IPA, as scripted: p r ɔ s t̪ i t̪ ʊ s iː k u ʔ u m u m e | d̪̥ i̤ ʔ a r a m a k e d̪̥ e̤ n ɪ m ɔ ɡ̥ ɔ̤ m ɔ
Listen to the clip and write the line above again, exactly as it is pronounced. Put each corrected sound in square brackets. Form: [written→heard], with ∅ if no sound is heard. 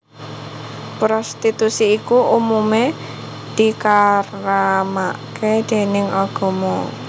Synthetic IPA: p [r→ɾ] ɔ s t̪ i t̪ [ʊ→u] s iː k u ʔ u m u m e | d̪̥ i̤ [ʔ→k] a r a m a k e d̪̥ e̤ n ɪ [m→ŋ] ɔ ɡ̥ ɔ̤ m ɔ